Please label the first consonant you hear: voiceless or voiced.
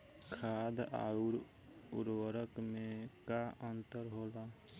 voiceless